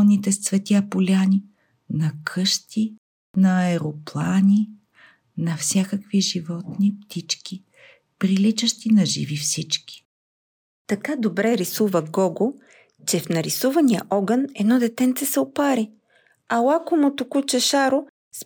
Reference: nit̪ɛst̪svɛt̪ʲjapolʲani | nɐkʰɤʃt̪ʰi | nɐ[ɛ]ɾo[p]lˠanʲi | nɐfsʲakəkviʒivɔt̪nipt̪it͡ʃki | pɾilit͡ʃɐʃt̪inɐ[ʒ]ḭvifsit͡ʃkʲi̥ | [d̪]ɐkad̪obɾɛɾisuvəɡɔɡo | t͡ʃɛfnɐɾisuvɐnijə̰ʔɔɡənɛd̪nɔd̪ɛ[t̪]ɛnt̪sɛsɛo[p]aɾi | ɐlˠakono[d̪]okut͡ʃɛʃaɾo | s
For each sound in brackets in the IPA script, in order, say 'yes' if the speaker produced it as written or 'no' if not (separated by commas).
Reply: yes, yes, yes, no, yes, yes, no